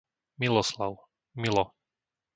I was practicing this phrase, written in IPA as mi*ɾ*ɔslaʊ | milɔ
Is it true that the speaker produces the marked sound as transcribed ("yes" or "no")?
no